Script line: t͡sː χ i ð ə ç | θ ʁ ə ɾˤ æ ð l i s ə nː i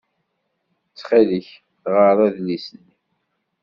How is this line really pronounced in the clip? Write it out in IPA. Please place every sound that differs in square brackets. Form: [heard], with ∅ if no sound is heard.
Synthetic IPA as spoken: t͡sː χ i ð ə ç | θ ʁ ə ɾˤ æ ð l i s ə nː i

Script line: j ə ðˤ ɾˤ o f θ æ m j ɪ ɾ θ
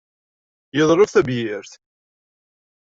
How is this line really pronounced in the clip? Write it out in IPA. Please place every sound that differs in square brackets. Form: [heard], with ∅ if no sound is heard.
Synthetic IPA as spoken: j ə ðˤ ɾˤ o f θ æ [b] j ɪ ɾ θ

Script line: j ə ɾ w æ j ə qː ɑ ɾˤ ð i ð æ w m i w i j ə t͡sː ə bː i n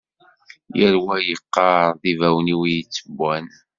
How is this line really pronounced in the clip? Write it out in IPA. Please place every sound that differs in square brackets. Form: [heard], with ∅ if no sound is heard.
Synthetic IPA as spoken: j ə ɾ w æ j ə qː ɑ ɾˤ ð i [v] æ w [n] i w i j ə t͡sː ə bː [æ] n

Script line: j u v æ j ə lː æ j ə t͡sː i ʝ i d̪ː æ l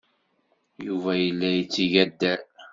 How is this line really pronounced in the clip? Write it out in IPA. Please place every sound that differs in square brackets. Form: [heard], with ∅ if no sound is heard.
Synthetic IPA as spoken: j u v æ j ə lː æ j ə t͡sː i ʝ [æ] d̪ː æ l

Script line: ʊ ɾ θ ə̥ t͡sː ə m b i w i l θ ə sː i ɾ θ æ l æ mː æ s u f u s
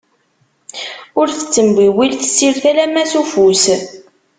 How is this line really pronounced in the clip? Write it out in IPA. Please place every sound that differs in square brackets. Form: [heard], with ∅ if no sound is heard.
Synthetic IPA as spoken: ʊ ɾ θ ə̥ t͡sː ə m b i w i l θ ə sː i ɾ θ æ l æ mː æ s u f u s

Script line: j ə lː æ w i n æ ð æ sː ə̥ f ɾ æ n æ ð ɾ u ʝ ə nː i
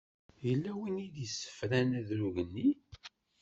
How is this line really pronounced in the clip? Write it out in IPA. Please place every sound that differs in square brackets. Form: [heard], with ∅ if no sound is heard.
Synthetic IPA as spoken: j ə lː æ w i n [i] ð [i] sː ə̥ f ɾ æ n æ ð ɾ u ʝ ə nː i

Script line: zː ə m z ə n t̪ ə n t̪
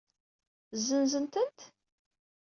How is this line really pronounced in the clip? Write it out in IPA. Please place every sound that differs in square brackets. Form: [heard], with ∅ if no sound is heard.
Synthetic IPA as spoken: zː ə [n] z ə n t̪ ə n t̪

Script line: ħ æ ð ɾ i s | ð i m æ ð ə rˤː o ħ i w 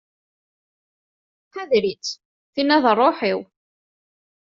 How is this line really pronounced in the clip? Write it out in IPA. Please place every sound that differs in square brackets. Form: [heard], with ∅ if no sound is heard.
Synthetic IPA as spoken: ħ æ ð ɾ i [t͡s] | [θ] i [n] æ ð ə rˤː o ħ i w

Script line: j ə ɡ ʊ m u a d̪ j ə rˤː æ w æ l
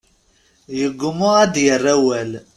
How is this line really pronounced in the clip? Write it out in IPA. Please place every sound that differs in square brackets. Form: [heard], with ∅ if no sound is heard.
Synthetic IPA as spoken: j ə ɡ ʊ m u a d̪ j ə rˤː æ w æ l

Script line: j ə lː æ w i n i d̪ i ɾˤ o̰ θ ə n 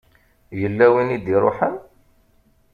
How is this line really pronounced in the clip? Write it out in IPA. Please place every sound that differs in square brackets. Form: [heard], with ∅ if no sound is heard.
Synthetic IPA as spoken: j ə lː æ w i n i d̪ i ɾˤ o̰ [ħ] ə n

